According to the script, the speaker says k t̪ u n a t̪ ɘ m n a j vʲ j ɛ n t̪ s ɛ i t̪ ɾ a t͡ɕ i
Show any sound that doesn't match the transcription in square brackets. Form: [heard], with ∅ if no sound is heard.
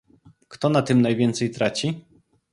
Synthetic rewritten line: k t̪ [ɔ] n a t̪ ɘ m n a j vʲ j ɛ n t̪ s ɛ [j] t̪ ɾ a t͡ɕ i